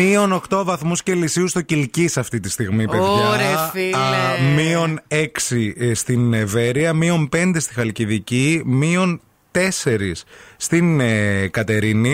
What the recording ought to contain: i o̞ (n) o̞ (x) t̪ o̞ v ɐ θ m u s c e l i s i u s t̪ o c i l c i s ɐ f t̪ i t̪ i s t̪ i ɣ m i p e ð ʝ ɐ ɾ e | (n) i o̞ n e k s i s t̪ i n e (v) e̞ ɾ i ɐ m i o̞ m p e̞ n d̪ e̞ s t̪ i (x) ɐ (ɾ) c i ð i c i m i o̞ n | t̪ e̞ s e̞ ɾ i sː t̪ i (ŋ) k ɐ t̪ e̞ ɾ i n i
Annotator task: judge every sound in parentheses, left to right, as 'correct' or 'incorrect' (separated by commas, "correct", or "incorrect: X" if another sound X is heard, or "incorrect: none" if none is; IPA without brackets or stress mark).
correct, correct, incorrect: m, correct, correct, incorrect: l, incorrect: n